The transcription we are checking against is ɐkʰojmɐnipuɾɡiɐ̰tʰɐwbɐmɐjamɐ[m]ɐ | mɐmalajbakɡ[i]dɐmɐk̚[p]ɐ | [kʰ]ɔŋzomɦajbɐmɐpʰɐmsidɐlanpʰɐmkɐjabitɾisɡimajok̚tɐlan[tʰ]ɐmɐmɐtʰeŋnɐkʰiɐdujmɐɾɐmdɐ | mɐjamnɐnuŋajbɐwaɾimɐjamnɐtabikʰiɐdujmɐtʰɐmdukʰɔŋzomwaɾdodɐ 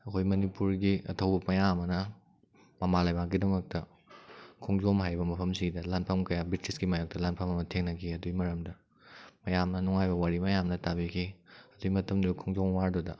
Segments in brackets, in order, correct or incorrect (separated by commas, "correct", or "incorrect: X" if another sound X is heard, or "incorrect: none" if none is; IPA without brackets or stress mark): incorrect: n, correct, incorrect: t, correct, incorrect: pʰ